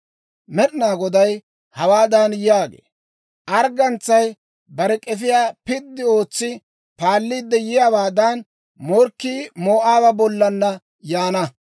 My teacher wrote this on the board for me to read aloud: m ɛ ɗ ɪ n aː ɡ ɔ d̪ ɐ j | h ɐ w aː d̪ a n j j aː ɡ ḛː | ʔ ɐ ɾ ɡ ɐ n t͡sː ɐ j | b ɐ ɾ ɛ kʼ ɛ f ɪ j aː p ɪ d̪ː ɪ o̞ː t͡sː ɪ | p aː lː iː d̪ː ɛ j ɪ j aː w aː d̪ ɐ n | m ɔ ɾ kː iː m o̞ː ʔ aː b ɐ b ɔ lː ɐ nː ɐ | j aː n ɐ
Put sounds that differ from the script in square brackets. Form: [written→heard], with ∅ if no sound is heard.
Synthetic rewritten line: m ɛ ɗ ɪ n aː ɡ ɔ d̪ ɐ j | h ɐ w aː d̪ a n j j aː ɡ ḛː | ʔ ɐ ɾ ɡ ɐ n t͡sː ɐ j | b ɐ ɾ ɛ kʼ ɛ f ɪ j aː p ɪ d̪ː ɪ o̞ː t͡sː ɪ | p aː lː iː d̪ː ɛ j ɪ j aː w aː d̪ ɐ n | m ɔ ɾ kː iː m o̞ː ʔ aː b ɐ b ɔ lː ɐ nː ɐ | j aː n ɐ

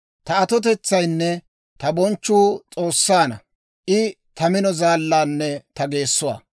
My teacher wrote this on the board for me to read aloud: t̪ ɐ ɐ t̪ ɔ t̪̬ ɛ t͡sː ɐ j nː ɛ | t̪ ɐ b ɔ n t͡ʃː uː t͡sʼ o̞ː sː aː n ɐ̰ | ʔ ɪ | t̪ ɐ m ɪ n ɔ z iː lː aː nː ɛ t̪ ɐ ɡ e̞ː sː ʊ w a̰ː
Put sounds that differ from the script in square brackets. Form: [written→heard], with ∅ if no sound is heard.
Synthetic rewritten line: t̪ ɐ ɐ t̪ ɔ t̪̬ ɛ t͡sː ɐ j nː ɛ | t̪ ɐ b ɔ n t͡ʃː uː t͡sʼ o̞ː sː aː n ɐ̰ | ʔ ɪ | t̪ ɐ m ɪ n ɔ z [iː→aː] lː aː nː ɛ t̪ ɐ ɡ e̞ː sː ʊ w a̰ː

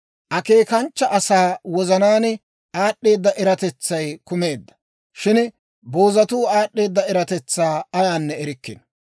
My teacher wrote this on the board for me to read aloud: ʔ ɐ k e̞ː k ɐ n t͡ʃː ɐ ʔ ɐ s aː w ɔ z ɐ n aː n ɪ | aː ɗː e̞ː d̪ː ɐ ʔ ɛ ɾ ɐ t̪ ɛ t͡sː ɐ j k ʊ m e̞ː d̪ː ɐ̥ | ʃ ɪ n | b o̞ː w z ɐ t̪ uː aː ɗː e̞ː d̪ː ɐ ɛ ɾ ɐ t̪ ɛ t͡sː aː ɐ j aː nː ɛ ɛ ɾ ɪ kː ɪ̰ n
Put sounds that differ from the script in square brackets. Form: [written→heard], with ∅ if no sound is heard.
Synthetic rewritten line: ʔ ɐ k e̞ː k ɐ n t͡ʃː ɐ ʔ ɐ s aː w ɔ z ɐ n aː n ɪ | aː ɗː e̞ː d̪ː ɐ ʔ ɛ ɾ ɐ t̪ ɛ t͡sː ɐ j k ʊ m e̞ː d̪ː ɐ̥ | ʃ ɪ n | b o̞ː [w→∅] z ɐ t̪ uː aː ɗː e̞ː d̪ː ɐ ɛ ɾ ɐ t̪ ɛ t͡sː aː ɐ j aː nː ɛ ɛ ɾ ɪ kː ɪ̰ n

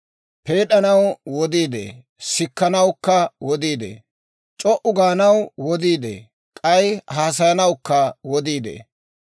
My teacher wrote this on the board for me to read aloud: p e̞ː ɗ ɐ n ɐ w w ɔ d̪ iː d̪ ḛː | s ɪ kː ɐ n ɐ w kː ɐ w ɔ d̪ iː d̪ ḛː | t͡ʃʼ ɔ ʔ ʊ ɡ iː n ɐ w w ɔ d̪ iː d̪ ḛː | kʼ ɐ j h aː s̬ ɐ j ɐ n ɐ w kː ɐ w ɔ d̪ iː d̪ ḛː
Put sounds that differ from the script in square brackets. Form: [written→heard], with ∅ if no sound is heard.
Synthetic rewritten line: p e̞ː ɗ ɐ n ɐ w w ɔ d̪ iː d̪ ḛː | s ɪ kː ɐ n ɐ w kː ɐ w ɔ d̪ iː d̪ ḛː | t͡ʃʼ ɔ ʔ ʊ ɡ [iː→aː] n ɐ w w ɔ d̪ iː d̪ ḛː | kʼ ɐ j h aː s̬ ɐ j ɐ n ɐ w kː ɐ w ɔ d̪ iː d̪ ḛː

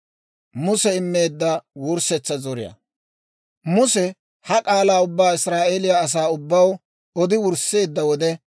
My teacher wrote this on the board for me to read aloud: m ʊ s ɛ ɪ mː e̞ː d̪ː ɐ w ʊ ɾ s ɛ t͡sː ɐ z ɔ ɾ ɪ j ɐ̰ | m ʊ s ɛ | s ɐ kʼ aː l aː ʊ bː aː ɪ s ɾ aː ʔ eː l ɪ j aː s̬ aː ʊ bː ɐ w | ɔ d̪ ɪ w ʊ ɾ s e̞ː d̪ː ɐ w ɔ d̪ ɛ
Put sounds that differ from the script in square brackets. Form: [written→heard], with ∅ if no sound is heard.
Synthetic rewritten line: m ʊ s ɛ ɪ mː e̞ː d̪ː ɐ w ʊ ɾ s ɛ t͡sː ɐ z ɔ ɾ ɪ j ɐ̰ | m ʊ s ɛ | [s→h] ɐ kʼ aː l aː ʊ bː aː ɪ s ɾ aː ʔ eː l ɪ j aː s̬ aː ʊ bː ɐ w | ɔ d̪ ɪ w ʊ ɾ s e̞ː d̪ː ɐ w ɔ d̪ ɛ

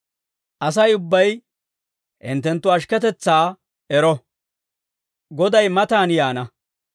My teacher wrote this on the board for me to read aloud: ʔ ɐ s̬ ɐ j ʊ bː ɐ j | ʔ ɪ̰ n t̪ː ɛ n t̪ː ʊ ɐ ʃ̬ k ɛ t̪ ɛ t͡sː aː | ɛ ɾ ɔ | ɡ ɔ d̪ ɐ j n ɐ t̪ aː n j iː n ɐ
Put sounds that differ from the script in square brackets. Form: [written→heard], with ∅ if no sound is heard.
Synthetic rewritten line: ʔ ɐ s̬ ɐ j ʊ bː ɐ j | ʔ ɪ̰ n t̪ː ɛ n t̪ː ʊ ɐ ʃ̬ k ɛ t̪ ɛ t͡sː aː | ɛ ɾ ɔ | ɡ ɔ d̪ ɐ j [n→m] ɐ t̪ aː n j [iː→aː] n ɐ

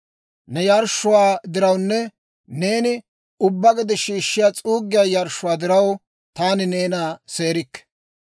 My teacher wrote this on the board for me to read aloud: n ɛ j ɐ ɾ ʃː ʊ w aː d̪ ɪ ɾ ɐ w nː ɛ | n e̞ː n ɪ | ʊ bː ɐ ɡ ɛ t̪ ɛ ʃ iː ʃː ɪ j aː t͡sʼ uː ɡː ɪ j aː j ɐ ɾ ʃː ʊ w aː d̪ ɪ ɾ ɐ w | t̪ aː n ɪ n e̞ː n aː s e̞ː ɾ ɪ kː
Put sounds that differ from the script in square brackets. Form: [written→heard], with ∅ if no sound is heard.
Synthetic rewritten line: n ɛ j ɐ ɾ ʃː ʊ w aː d̪ ɪ ɾ ɐ w nː ɛ | n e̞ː n ɪ | ʊ bː ɐ ɡ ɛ [t̪→d̪] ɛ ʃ iː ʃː ɪ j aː t͡sʼ uː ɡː ɪ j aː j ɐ ɾ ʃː ʊ w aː d̪ ɪ ɾ ɐ w | t̪ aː n ɪ n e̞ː n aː s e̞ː ɾ ɪ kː

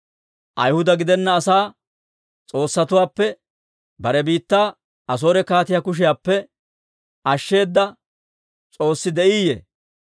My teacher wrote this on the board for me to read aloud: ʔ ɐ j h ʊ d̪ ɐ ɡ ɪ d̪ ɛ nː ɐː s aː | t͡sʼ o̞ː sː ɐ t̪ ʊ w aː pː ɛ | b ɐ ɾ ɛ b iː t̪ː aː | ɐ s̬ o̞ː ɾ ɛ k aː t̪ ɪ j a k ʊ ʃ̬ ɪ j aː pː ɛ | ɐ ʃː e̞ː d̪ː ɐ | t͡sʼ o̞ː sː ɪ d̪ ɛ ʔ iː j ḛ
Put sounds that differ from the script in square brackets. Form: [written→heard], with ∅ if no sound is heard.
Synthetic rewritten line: ʔ ɐ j h ʊ d̪ ɐ ɡ ɪ d̪ ɛ nː ɐː s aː | t͡sʼ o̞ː sː ɐ t̪ ʊ w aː pː ɛ | b ɐ ɾ ɛ b iː t̪ː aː | ɐ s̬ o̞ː ɾ ɛ k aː t̪ ɪ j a k ʊ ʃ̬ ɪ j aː pː ɛ | ɐ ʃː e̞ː d̪ː ɐ | t͡sʼ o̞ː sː ɪ d̪ ɛ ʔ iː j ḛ

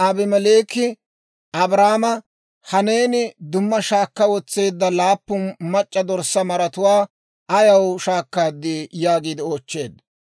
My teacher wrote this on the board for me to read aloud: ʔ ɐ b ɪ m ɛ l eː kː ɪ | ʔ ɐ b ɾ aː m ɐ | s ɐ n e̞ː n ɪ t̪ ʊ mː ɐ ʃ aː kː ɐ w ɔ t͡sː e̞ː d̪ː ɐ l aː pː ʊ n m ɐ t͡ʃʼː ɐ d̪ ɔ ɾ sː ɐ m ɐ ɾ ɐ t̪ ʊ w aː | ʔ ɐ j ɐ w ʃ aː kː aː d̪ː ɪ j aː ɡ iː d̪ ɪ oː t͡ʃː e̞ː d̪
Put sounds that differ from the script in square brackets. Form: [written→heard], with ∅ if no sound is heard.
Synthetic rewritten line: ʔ ɐ b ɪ m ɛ l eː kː ɪ | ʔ ɐ b ɾ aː m ɐ | [s→h] ɐ n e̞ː n ɪ [t̪→d̪] ʊ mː ɐ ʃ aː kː ɐ w ɔ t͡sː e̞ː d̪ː ɐ l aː pː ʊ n m ɐ t͡ʃʼː ɐ d̪ ɔ ɾ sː ɐ m ɐ ɾ ɐ t̪ ʊ w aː | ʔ ɐ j ɐ w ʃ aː kː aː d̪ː ɪ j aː ɡ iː d̪ ɪ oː t͡ʃː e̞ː d̪

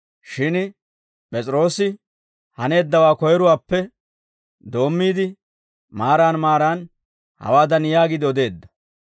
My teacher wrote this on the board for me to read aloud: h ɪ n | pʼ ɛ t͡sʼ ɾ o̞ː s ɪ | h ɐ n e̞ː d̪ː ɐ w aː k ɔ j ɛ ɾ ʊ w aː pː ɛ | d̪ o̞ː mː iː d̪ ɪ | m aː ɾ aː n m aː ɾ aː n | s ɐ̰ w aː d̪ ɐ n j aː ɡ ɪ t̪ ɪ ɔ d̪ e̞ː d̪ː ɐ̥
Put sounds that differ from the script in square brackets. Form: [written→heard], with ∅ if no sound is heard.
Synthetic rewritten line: [h→ʃ] ɪ n | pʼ ɛ t͡sʼ ɾ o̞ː s ɪ | h ɐ n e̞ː d̪ː ɐ w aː k ɔ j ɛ ɾ ʊ w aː pː ɛ | d̪ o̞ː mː iː d̪ ɪ | m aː ɾ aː n m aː ɾ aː n | [s→h] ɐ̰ w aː d̪ ɐ n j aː ɡ ɪ [t̪→d̪] ɪ ɔ d̪ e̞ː d̪ː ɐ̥

